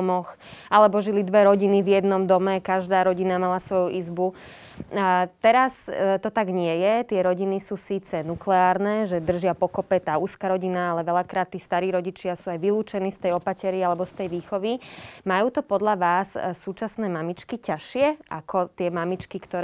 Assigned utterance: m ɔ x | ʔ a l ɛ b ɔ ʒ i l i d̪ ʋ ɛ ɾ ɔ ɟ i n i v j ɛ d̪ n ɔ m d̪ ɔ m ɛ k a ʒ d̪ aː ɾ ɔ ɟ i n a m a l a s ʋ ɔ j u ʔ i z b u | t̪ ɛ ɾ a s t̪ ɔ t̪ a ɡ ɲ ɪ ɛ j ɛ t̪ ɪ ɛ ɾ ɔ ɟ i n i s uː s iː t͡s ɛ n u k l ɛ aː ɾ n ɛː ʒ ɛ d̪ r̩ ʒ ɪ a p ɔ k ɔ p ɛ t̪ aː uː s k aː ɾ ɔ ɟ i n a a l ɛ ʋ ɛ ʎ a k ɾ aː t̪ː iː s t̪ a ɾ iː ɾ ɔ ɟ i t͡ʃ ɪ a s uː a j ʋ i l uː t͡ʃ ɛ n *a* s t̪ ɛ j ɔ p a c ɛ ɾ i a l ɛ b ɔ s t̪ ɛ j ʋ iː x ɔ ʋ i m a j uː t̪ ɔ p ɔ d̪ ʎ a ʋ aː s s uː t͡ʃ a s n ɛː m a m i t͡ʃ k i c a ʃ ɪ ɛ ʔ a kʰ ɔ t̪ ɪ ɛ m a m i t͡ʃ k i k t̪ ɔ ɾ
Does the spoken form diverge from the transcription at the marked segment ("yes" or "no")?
yes